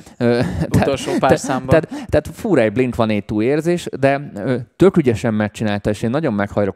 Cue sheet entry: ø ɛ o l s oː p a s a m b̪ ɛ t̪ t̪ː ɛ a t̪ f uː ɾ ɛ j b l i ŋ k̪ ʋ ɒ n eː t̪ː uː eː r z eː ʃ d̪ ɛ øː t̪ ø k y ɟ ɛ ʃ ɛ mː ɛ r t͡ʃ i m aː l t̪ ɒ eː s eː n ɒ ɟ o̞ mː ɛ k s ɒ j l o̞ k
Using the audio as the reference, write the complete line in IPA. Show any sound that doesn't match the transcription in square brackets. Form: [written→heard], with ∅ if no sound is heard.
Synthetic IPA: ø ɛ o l [s→ʃ] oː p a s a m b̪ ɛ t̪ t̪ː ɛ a t̪ f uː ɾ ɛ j b l i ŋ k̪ ʋ ɒ n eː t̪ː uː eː r z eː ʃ d̪ ɛ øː t̪ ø k y ɟ ɛ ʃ ɛ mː ɛ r t͡ʃ i [m→n] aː l t̪ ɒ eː [s→ʃ] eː [n→nː] ɒ ɟ o̞ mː ɛ k [s→h] ɒ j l o̞ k